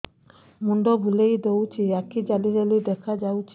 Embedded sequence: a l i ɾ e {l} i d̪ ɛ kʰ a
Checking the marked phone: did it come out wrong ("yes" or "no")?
no